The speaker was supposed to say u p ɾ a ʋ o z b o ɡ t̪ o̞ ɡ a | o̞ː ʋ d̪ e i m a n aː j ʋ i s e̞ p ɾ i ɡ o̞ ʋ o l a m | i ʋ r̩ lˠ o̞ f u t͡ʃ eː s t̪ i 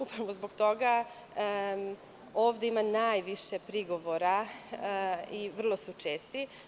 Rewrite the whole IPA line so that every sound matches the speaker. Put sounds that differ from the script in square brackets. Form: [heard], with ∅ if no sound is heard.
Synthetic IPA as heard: u p ɾ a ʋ o z b o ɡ t̪ o̞ ɡ a | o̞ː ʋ d̪ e i m a n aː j ʋ i [ʃ] e̞ p ɾ i ɡ o̞ ʋ o [ɾ] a [∅] | i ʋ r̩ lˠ o̞ [s] u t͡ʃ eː s t̪ i